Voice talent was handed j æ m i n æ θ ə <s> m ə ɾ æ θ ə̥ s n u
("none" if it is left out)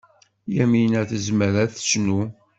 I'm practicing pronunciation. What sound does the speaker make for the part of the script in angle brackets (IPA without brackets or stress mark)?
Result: z